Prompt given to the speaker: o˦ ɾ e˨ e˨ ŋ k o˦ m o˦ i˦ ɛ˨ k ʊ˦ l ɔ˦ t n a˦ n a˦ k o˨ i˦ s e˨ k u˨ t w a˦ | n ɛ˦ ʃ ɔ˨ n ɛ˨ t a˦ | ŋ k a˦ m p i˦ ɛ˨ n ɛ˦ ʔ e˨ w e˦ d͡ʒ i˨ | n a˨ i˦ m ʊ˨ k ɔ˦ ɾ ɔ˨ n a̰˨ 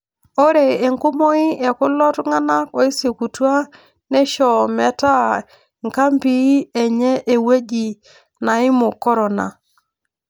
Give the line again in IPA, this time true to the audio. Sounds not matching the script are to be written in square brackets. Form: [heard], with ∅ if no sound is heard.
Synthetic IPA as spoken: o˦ ɾ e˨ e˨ ŋ k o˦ m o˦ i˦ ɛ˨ k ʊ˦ l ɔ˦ t [ŋ] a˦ n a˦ k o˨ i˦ s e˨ k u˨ t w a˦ | n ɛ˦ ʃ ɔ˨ [m] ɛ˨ t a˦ | ŋ k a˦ m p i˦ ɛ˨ [ɲ] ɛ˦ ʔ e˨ w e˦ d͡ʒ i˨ | n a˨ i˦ m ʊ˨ k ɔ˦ ɾ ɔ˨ n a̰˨